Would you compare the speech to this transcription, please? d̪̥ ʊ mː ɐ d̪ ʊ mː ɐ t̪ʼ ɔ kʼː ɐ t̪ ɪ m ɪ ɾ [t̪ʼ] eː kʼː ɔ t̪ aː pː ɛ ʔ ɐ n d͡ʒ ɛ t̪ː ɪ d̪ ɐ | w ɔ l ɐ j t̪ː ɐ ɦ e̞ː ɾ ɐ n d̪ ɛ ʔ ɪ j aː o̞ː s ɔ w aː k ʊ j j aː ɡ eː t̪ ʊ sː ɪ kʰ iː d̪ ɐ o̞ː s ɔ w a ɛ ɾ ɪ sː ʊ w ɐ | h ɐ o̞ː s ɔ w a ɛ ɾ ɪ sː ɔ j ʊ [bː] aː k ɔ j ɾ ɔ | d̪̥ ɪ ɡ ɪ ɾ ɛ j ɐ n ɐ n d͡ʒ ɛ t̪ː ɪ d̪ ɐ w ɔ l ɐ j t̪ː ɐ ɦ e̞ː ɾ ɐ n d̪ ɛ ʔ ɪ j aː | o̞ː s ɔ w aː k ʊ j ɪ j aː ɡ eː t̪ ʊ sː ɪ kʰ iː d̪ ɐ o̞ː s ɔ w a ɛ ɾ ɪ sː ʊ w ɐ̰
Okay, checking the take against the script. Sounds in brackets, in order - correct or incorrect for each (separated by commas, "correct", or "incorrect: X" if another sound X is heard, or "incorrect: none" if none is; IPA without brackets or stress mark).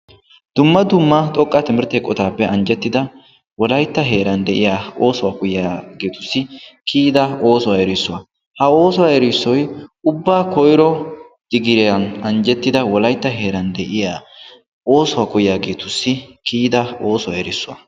incorrect: t̪, correct